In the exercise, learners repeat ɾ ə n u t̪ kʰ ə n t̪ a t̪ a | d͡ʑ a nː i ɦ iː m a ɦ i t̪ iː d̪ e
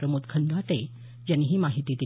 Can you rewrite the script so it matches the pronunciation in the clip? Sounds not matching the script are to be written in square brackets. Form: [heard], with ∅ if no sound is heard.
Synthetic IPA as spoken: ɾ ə [m] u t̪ kʰ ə n [d̪] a t̪ [e] | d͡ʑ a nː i ɦ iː m a ɦ i t̪ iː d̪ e